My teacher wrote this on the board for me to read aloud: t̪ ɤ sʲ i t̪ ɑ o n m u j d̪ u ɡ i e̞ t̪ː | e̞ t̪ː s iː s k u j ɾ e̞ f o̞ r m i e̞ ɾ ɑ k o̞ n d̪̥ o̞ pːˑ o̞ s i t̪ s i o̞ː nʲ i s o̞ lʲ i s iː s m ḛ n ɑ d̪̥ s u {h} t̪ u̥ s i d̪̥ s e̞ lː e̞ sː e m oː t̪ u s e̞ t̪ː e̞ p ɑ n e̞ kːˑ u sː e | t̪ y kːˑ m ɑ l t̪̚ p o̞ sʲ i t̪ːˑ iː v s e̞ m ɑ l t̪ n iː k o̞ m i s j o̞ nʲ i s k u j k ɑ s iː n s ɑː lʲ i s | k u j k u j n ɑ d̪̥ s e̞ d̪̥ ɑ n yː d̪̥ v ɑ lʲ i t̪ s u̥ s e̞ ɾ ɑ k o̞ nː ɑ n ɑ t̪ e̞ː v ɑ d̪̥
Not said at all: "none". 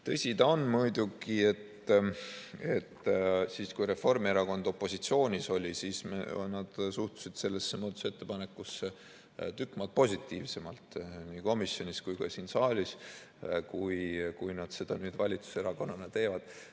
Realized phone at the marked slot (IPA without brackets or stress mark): h